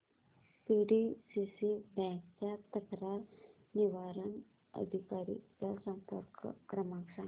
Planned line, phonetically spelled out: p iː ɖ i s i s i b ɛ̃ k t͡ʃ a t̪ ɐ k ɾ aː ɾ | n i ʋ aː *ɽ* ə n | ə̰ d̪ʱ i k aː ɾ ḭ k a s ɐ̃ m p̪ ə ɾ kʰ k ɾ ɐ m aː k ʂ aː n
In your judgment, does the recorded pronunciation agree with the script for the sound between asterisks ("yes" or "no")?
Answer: no